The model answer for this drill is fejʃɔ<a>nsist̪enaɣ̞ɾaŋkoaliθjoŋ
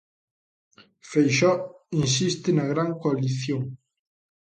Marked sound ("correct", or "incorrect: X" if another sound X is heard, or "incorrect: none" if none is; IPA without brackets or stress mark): incorrect: i